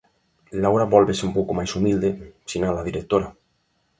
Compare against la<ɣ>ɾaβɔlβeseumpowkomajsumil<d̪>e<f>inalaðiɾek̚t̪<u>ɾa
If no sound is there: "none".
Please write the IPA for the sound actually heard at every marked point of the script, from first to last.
w, d̪, s, o

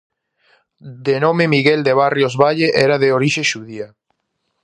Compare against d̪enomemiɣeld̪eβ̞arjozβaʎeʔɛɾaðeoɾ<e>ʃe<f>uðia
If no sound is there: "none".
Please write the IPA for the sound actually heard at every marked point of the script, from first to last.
i, ʃ

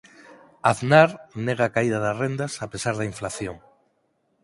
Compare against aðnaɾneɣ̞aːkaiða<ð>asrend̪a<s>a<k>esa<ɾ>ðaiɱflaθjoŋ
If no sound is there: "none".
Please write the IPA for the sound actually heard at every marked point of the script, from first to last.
ð, s, p, ɾ

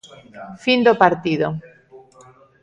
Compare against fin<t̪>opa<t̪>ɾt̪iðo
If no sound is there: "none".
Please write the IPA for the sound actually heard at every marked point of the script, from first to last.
d̪, none

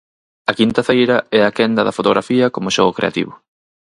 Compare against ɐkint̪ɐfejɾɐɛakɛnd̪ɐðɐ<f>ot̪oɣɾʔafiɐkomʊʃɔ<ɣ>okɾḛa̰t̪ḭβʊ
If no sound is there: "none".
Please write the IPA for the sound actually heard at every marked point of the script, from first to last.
f, ɣ

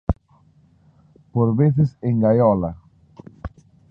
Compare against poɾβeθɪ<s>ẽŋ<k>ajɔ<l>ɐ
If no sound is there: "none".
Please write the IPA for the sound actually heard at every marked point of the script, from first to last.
s, ɡ, l

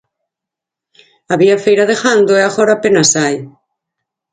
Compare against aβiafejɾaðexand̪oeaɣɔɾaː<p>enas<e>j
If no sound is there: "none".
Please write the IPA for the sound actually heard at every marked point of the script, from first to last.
p, a

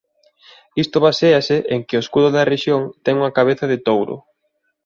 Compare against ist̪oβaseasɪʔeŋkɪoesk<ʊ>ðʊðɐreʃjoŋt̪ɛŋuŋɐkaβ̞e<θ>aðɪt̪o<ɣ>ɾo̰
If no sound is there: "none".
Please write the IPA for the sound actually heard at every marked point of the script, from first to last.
u, θ, w

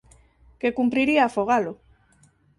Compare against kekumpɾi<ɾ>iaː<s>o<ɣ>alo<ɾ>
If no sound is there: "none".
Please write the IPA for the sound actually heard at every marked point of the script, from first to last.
ɾ, f, ɣ, none

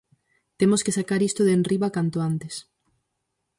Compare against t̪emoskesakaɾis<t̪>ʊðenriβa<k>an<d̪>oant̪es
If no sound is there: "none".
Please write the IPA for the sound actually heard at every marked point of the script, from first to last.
t̪, k, t̪

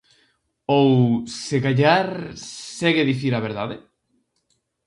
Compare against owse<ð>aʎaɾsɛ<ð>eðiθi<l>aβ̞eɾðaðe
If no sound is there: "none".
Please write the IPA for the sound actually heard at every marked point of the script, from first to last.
ɣ, ɣ, ɾ

